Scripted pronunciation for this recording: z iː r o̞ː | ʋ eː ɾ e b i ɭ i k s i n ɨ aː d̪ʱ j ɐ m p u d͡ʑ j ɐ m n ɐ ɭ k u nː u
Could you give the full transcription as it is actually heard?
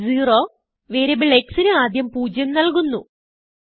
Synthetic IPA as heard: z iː r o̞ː | ʋ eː ɾ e b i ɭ e k s i n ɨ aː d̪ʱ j ɐ m p uː d͡ʑ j ɐ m n ɐ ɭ k u nː u